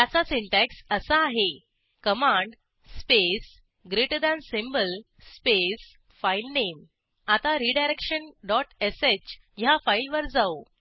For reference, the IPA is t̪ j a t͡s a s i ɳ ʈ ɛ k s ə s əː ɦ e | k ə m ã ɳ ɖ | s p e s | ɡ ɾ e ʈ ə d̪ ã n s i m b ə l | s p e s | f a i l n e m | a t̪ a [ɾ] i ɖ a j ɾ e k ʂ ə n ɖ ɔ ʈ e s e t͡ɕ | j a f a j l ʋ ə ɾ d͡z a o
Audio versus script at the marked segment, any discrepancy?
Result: no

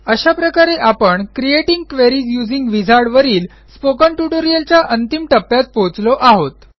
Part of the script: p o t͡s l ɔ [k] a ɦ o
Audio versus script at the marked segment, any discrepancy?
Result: yes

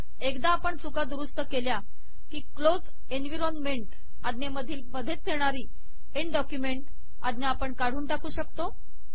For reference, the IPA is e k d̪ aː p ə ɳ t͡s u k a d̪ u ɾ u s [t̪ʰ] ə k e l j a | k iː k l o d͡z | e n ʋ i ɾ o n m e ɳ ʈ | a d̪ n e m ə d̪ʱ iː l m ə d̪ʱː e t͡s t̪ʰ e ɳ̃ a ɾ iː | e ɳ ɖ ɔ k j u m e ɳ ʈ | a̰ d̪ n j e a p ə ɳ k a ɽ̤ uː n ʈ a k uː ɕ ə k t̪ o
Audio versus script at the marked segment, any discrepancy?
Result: yes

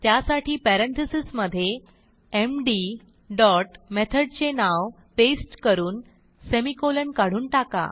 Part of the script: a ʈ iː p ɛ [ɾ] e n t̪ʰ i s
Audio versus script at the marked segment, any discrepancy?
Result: no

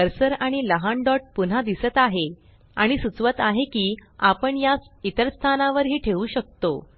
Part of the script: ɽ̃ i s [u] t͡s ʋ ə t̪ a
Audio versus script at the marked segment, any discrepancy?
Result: no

